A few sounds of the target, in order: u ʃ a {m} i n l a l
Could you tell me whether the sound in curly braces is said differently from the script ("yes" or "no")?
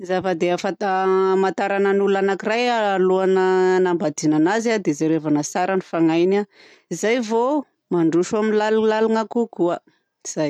no